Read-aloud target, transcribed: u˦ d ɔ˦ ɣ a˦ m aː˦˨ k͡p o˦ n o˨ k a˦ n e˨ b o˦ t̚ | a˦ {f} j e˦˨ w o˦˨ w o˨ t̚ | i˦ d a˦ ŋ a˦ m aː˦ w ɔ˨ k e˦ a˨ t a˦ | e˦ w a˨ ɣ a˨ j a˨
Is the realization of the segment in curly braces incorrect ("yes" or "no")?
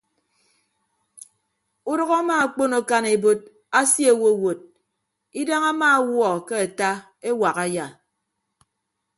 yes